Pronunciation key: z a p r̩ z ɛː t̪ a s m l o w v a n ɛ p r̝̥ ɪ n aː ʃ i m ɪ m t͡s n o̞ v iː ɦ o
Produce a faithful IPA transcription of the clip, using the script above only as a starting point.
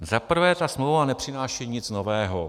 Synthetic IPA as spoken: z a p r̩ v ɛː t̪ a s m l o w v a n ɛ p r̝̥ ɪ n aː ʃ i ɲ ɪ t͡s n o̞ v ɛː ɦ o